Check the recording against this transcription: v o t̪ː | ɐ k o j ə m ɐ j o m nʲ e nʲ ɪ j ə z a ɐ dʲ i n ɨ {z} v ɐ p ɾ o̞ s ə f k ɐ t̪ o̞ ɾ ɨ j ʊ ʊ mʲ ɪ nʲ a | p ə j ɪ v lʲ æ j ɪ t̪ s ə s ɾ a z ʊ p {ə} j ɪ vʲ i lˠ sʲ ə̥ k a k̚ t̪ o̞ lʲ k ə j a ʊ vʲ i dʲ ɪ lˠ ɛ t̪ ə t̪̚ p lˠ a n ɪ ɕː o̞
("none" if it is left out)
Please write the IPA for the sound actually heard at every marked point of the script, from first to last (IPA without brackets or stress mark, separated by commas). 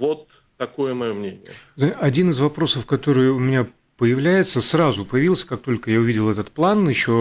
z, ə